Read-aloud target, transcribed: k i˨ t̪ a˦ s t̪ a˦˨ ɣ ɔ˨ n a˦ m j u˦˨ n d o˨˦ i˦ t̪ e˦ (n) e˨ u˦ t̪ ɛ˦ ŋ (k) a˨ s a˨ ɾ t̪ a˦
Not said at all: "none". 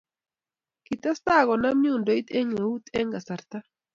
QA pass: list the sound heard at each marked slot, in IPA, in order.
ŋ, ɡ

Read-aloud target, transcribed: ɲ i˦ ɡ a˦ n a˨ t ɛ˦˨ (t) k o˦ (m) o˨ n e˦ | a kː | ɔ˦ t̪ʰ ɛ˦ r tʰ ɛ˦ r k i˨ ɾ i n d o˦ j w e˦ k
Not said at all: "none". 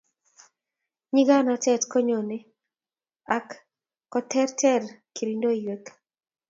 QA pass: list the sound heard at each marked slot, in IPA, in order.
t, ɲ

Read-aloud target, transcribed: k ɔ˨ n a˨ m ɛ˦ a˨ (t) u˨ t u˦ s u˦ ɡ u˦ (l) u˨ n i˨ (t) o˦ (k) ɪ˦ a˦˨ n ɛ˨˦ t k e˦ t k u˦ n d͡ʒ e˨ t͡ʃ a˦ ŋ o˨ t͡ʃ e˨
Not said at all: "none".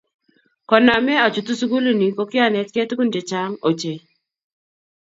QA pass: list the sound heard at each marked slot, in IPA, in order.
t͡ʃ, l, k, k

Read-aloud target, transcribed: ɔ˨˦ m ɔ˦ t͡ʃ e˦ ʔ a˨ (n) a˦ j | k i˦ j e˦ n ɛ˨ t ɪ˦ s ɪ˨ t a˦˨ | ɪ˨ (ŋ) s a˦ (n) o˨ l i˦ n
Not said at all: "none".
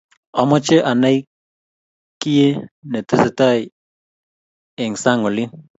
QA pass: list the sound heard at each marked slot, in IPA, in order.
n, ŋ, ŋ

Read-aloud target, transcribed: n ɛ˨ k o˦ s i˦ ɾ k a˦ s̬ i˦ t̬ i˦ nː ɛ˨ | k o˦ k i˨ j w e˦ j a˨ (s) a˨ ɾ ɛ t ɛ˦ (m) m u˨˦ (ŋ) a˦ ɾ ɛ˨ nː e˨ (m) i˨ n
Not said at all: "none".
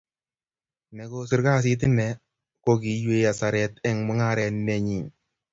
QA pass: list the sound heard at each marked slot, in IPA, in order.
s, ŋ, ŋ, ɲ

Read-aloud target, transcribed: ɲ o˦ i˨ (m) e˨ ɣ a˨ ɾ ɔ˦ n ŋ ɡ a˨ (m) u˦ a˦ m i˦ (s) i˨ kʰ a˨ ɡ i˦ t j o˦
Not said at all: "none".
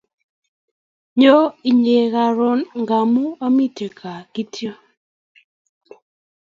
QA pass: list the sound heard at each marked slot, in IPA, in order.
ɲ, m, t

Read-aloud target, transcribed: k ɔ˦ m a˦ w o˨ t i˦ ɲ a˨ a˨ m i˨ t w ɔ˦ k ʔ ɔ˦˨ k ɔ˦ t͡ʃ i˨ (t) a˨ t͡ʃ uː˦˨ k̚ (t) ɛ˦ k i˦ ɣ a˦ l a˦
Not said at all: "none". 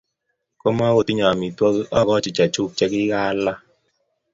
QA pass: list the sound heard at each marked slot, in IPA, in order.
t͡ʃ, t͡ʃ

